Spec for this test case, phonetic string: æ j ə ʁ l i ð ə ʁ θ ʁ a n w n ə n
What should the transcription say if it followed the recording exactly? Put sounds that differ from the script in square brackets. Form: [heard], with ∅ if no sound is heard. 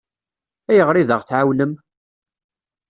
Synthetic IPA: æ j ə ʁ [ɾ] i ð ə ʁ θ [ʕ] a [∅] w n ə [m]